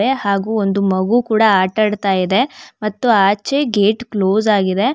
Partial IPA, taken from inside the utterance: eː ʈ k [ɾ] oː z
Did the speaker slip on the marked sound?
yes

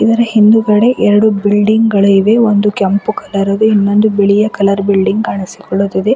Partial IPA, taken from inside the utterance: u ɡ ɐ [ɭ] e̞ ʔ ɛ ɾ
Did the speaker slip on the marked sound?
yes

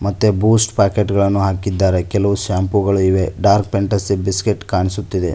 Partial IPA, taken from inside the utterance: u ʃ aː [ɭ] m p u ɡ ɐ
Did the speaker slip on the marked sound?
yes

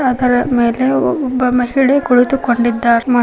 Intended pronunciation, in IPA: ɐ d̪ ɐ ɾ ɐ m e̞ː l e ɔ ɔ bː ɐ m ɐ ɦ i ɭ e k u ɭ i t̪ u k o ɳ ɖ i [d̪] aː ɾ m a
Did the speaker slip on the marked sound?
yes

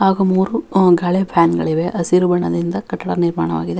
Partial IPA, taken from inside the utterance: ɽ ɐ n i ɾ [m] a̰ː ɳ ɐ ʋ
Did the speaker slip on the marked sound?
no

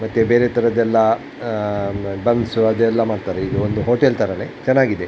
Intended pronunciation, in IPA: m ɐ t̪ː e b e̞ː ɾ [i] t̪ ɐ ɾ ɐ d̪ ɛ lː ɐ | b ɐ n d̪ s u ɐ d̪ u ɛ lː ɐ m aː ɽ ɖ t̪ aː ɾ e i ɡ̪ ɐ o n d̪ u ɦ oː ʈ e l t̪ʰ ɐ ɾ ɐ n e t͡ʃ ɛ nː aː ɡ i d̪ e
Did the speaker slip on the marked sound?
yes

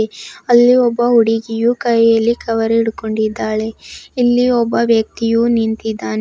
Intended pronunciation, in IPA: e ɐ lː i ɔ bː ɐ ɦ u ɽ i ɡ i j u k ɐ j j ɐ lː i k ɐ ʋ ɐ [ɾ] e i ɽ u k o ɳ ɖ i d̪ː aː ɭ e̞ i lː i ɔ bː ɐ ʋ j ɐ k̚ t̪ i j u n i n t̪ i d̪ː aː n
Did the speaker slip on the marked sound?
no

